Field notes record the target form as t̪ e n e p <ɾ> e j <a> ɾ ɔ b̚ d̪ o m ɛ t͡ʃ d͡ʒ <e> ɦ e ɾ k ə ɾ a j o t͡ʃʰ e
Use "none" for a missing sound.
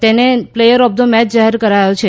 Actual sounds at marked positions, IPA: l, ə, a

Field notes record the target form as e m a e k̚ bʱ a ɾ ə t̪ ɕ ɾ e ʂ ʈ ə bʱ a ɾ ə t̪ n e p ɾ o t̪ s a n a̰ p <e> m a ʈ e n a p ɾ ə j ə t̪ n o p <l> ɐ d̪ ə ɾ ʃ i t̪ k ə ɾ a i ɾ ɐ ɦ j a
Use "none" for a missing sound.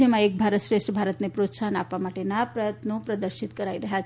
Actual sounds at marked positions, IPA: a, ɾ

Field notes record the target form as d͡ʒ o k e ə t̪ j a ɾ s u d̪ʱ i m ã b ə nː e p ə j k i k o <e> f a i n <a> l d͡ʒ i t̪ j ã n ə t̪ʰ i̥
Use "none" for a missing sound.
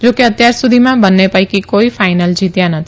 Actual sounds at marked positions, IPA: i, ə

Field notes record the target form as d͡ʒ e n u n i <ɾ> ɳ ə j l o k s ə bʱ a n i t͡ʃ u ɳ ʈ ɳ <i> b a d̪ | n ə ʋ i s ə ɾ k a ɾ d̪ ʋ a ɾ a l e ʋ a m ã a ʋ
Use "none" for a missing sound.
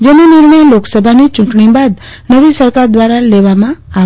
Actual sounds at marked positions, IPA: ɾ, i

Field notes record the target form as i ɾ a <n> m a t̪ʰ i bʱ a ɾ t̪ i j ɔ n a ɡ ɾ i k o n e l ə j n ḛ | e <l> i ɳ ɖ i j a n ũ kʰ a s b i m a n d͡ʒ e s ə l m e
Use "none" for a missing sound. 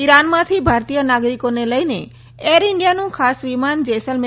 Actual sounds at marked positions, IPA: n, ɾ

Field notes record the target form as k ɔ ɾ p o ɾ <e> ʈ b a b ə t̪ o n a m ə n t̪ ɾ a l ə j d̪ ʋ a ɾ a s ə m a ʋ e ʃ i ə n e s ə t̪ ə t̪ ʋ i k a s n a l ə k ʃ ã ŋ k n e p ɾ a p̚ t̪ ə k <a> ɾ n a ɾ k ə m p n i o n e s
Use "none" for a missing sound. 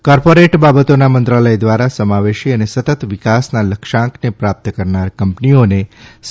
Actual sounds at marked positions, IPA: e, ə

